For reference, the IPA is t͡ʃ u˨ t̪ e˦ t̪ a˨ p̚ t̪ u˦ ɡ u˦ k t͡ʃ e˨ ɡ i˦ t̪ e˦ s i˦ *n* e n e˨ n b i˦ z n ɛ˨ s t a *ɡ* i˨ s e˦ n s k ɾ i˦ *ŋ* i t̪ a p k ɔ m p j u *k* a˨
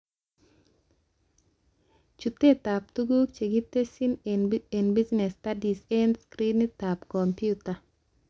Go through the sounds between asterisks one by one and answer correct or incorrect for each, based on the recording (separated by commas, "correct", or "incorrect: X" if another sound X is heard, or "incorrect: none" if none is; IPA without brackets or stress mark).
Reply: correct, incorrect: d, incorrect: n, incorrect: t